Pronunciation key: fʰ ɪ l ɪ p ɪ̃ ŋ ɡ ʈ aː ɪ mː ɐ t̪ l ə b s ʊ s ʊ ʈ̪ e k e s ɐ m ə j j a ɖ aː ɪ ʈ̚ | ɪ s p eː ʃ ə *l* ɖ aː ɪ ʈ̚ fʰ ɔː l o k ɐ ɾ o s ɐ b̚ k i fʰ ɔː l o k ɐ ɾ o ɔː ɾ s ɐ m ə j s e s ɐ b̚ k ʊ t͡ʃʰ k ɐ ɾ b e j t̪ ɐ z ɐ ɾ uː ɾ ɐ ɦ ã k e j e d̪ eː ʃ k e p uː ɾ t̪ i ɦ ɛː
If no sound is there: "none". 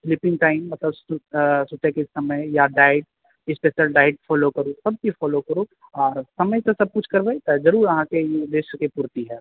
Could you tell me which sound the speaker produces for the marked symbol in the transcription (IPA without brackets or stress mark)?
l